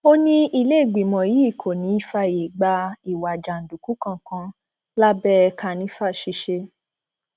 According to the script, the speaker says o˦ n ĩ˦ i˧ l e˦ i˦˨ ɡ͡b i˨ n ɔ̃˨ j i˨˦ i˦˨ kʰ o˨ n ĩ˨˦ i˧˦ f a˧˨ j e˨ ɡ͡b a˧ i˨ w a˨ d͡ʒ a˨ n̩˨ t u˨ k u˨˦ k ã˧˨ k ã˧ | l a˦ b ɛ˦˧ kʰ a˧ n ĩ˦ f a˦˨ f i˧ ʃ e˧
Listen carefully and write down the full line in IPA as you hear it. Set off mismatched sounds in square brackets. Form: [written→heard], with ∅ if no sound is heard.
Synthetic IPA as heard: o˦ n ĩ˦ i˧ l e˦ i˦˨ ɡ͡b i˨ [n→m] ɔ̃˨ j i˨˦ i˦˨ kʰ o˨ n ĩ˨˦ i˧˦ f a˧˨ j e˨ ɡ͡b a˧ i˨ w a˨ d͡ʒ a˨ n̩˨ [t→d] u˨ k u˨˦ k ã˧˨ k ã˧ | l a˦ b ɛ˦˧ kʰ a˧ n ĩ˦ f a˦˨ [f→ʃ] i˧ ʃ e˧